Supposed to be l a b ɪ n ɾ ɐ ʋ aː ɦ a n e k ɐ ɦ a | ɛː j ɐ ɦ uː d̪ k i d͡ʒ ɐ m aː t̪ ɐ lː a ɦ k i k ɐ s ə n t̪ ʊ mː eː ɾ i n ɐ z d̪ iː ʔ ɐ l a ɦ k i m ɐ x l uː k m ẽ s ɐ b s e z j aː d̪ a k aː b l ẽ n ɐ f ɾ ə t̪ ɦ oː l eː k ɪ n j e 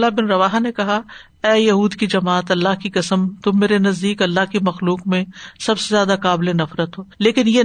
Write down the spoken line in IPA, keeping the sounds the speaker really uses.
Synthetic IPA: l a b ɪ n ɾ ɐ ʋ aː ɦ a n e k ɐ ɦ a | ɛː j ɐ ɦ uː d̪ k i d͡ʒ ɐ m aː t̪ ɐ lː a ɦ k i k ɐ s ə m t̪ ʊ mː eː ɾ e n ɐ z d̪ iː k ɐ lː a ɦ k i m ɐ x l uː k m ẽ s ɐ b s e z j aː d̪ a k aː b l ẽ n ɐ f ɾ ə t̪ ɦ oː l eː k ɪ n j e